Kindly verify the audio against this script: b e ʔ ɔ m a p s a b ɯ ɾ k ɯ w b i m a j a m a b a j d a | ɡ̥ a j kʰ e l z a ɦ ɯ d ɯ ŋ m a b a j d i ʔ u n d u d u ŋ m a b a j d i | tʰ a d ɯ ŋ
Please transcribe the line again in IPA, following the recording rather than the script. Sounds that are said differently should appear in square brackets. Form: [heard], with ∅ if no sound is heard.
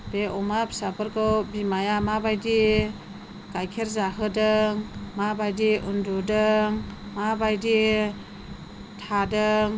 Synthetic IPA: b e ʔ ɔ m a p s a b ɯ ɾ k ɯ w b i m a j a m a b a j d [i] | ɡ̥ a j kʰ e [ɾ] z a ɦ ɯ d ɯ ŋ m a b a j d i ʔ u n d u d [ɯ] ŋ m a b a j d i | tʰ a d ɯ ŋ